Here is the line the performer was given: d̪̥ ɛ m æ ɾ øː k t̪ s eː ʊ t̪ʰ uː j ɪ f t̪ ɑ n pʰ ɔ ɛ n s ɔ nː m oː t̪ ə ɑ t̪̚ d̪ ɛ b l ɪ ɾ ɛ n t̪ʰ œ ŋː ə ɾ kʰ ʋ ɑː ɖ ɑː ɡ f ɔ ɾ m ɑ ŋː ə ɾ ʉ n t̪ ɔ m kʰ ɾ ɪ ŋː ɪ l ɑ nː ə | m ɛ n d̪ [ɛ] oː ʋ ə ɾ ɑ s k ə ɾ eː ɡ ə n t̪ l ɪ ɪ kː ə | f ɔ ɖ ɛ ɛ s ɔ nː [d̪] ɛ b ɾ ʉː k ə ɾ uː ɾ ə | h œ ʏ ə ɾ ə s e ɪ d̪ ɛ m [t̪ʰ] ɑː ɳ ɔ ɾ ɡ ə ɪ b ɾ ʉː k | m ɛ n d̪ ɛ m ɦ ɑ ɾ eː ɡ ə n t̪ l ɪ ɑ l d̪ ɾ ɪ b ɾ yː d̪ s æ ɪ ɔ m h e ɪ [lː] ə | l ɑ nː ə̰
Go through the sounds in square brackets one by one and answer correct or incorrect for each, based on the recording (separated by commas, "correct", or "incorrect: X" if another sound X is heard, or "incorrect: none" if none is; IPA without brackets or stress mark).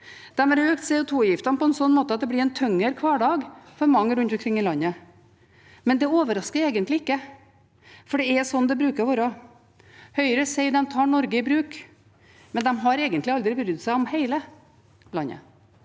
correct, correct, correct, incorrect: l